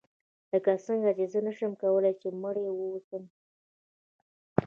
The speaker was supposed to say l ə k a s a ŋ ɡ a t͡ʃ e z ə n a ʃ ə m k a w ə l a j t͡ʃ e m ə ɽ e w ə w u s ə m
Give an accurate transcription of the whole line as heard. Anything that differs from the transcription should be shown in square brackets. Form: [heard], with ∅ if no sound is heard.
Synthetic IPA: l ə k a s [ə] ŋ ɡ a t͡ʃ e z ə n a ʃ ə m k a w ə l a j t͡ʃ e m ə ɽ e w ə w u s ə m